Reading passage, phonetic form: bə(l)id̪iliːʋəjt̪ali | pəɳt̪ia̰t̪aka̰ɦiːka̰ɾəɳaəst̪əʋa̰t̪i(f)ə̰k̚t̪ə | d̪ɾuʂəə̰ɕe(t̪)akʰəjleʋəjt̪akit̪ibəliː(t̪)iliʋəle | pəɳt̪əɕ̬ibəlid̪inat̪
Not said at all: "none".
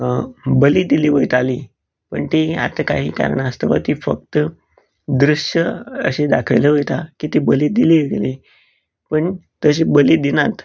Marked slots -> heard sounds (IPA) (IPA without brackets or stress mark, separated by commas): l, f, d̪, d̪